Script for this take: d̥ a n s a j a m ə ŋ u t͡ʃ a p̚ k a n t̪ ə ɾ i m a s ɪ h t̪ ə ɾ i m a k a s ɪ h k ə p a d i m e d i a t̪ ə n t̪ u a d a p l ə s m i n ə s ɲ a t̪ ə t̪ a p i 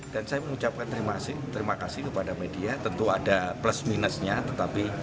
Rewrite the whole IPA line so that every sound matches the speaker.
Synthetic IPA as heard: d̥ a n s a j a m ə ŋ u t͡ʃ a p̚ k a n t̪ ə ɾ i m a s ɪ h t̪ ə ɾ i m a k a s ɪ h k ə p a d a m e d i a t̪ ə n t̪ u a d a p l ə s m i n ə s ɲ a t̪ ə t̪ a p i

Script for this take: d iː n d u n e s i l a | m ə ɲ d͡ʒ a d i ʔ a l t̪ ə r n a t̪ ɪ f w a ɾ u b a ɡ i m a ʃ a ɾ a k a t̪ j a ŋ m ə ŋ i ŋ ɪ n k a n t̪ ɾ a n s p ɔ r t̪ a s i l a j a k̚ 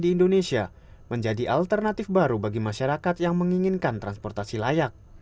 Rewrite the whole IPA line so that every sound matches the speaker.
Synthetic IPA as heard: d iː n d o n e s i a | m ə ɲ d͡ʒ a d i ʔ a l t̪ ə r n a t̪ ɪ f b a ɾ u b a ɡ i m a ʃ a ɾ a k a t̪ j a ŋ m ə ŋ i ŋ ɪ n k a n t̪ ɾ a n s p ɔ r t̪ a s i l a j a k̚

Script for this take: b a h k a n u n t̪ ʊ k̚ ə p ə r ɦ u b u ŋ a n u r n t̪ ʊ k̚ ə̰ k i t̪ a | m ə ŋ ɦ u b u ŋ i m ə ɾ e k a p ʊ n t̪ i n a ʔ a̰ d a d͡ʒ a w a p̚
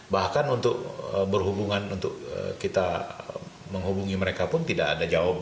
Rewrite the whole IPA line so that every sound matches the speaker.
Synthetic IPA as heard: b a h k a n u n t̪ ʊ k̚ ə b ə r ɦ u b u ŋ a n u n t̪ ʊ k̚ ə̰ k i t̪ a | m ə ŋ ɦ u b u ŋ i m ə ɾ e k a p ʊ n t̪ i d a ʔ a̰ d a d͡ʒ a w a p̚

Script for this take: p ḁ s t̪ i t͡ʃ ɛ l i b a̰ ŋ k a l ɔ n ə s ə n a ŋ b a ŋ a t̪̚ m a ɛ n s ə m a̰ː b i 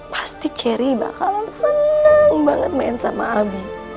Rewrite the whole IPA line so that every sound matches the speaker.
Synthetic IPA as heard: p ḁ s t̪ i t͡ʃ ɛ ɾ i b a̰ k a l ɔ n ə s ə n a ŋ b a ŋ ə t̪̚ m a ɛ n s a m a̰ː b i

